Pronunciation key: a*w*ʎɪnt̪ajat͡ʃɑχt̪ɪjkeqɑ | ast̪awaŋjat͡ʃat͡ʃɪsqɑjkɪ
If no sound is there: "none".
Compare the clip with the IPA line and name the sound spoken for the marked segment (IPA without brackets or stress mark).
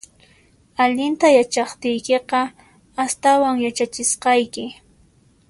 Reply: none